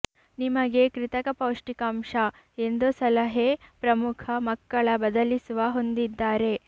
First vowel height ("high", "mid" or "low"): high